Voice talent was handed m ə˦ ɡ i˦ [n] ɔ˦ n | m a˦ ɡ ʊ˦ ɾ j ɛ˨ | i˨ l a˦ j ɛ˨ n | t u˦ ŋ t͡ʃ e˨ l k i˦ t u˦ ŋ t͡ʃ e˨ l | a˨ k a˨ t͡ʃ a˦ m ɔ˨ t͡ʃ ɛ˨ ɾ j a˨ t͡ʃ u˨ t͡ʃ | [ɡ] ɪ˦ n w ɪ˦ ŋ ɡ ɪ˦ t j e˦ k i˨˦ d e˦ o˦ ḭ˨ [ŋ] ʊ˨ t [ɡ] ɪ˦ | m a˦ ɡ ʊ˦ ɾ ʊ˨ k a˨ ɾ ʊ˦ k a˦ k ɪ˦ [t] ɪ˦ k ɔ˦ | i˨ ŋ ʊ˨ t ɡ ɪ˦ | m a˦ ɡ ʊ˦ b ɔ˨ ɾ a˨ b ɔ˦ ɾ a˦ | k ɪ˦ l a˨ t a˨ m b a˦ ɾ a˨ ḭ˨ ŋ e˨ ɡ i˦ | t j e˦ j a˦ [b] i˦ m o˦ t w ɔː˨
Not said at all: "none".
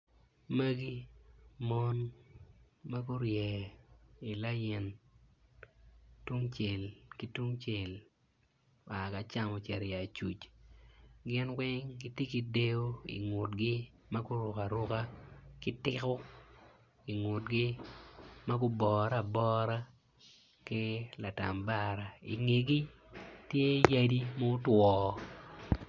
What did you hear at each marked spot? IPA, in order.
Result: m, ɡ, ŋ, ɡ, t, d

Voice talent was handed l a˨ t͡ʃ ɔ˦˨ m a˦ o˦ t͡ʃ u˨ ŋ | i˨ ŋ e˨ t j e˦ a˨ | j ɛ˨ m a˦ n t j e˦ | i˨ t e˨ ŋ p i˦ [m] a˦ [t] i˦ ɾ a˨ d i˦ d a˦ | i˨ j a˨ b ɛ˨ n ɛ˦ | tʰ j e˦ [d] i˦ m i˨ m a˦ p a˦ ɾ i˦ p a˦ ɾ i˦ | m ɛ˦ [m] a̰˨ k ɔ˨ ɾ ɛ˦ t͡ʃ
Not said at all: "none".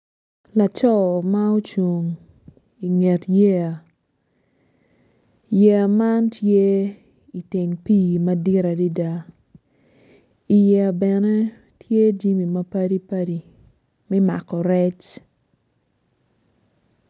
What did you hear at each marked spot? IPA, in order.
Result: m, d, d͡ʒ, m

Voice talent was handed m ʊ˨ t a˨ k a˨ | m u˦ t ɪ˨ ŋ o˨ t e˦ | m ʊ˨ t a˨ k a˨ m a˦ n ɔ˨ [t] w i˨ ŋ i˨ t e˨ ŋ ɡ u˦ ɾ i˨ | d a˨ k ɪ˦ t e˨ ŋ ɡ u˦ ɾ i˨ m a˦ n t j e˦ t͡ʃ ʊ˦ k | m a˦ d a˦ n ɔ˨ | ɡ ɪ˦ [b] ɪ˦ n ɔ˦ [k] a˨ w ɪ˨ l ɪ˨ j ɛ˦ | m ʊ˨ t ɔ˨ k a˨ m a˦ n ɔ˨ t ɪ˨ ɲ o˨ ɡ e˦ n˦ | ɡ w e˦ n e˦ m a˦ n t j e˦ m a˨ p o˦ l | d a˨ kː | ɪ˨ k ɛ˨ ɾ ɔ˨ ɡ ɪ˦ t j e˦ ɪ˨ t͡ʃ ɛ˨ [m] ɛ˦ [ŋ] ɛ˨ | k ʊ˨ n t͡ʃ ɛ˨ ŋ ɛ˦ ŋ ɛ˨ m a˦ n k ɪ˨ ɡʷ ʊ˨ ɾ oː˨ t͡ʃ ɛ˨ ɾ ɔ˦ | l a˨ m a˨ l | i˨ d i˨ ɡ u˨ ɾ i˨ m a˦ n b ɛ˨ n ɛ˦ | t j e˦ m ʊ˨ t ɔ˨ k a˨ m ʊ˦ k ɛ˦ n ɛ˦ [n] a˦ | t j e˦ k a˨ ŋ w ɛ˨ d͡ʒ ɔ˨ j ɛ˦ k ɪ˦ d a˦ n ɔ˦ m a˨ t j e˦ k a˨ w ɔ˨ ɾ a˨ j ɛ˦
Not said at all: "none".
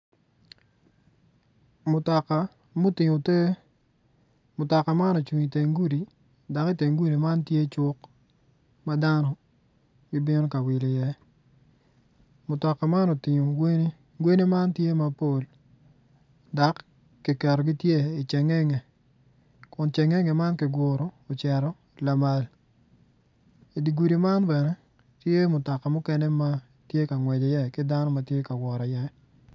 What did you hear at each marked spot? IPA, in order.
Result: t͡ʃ, b, k, ŋ, ŋ, m

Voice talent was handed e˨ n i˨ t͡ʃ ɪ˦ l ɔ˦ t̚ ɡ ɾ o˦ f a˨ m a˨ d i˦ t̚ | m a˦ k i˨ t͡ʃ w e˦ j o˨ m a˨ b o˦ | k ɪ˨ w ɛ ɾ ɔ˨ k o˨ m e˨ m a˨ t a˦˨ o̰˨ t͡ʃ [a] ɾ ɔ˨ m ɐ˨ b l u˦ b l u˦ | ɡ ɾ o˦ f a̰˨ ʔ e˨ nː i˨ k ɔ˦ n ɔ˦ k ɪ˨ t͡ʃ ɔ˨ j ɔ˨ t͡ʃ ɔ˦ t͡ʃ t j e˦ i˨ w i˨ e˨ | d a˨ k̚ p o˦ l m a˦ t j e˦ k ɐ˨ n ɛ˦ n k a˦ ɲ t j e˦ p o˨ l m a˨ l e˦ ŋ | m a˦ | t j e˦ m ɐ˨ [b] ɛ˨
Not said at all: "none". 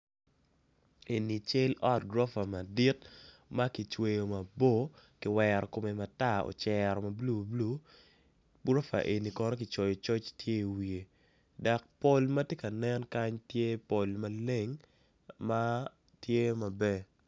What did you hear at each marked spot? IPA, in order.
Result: ɛ, b

